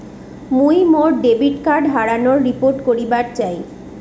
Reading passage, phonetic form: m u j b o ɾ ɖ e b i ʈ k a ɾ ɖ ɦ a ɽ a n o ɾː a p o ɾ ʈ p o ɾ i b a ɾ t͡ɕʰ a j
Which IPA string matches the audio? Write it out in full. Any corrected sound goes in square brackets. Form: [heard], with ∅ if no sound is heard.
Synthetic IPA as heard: m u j [m] o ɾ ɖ e b i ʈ k a ɾ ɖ ɦ a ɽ a n o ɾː [i] p o ɾ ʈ [k] o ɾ i b a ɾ [t͡ɕ] a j